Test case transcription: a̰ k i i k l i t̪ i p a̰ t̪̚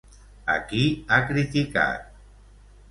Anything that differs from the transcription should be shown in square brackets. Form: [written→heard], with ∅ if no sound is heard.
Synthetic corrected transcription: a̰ k i [i→a] k [l→ɾ] i t̪ i [p→k] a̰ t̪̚